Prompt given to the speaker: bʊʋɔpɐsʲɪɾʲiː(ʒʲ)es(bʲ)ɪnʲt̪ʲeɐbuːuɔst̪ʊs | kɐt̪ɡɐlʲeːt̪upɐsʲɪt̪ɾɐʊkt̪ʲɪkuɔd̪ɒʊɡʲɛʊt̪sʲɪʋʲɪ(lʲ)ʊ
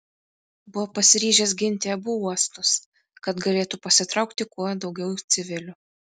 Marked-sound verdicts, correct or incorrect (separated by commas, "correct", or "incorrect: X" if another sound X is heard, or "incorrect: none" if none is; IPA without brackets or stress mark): correct, incorrect: ɡʲ, correct